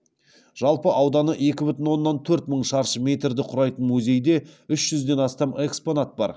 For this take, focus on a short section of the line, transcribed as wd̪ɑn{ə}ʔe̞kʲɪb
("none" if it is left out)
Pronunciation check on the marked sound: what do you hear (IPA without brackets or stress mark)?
ə